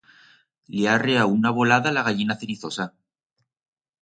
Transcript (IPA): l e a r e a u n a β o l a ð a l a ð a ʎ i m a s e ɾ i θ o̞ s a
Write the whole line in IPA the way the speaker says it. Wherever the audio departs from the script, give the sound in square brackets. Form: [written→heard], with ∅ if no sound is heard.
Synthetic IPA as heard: l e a r e a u n a β o l a ð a l a [ð→ɣ] a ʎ i [m→n] a [s→θ] e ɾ i θ o̞ s a